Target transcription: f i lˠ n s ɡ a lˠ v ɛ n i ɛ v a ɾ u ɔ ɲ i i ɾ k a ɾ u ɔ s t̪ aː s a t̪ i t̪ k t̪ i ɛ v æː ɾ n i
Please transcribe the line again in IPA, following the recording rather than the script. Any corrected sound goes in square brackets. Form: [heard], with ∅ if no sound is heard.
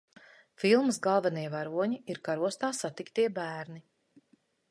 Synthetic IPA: f i lˠ [m] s ɡ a lˠ v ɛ n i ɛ v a ɾ u ɔ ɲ i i ɾ k a ɾ u ɔ s t̪ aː s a t̪ i [∅] k t̪ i ɛ [b] æː ɾ n i